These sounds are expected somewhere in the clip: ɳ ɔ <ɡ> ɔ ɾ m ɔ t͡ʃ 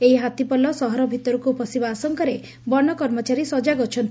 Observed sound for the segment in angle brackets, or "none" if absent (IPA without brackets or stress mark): k